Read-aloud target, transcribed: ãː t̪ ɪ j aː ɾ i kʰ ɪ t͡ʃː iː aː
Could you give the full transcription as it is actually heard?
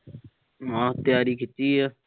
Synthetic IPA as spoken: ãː t̪ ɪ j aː ɾ iː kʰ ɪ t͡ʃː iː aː